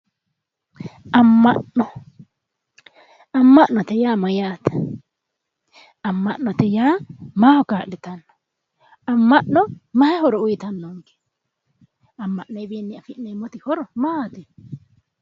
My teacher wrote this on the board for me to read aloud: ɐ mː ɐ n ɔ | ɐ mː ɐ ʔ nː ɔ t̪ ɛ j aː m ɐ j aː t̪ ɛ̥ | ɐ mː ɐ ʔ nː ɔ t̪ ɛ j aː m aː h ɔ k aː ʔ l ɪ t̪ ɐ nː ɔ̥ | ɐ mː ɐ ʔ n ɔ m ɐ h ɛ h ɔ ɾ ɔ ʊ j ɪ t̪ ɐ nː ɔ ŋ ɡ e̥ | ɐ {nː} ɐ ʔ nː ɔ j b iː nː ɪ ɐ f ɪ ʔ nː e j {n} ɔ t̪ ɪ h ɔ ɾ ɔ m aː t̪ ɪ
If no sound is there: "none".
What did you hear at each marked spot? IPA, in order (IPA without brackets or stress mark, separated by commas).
mː, m